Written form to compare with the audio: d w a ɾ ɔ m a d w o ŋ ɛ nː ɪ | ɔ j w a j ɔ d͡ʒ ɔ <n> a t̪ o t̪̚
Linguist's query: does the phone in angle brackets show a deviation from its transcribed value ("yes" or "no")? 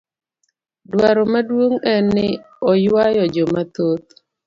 yes